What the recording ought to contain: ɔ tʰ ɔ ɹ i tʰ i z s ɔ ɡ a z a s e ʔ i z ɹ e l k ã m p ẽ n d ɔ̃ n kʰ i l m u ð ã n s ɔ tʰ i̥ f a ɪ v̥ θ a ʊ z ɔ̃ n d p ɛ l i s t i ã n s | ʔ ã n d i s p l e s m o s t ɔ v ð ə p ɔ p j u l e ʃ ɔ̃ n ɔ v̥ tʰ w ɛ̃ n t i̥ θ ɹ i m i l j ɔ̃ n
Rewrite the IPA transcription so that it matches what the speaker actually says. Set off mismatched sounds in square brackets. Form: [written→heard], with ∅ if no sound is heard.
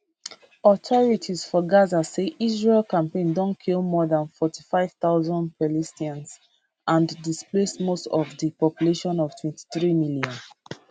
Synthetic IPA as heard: ɔ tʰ ɔ ɹ i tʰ i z [s→f] ɔ ɡ a z a s e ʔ i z ɹ e l k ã m p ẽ n d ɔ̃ n kʰ i l m [u→ɔ] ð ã n [s→f] ɔ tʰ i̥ f a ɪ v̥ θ a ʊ z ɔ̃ n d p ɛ l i s t i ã n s | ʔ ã n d i s p l e s m o s t ɔ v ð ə p ɔ p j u l e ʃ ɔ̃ n ɔ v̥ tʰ w ɛ̃ n t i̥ θ ɹ i m i l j ɔ̃ n